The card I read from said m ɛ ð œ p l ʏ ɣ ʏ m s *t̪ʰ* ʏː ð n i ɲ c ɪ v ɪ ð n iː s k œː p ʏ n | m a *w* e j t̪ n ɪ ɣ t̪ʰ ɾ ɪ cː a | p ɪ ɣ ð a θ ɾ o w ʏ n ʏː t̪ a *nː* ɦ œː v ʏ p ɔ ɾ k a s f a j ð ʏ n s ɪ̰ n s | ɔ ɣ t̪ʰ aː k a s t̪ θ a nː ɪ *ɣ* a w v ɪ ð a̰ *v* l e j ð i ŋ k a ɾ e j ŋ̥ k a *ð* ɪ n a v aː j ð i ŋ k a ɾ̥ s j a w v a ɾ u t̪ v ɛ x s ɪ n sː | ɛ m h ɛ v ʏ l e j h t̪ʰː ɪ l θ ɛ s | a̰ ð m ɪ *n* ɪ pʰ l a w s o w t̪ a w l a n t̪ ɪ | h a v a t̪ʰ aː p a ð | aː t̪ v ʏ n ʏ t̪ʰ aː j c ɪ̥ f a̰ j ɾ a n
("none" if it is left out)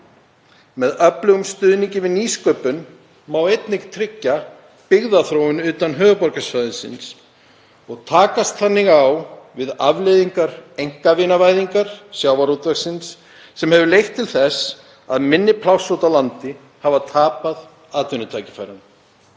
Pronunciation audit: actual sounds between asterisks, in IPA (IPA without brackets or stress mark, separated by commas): t̪, w, n, ɣ, v, v, nː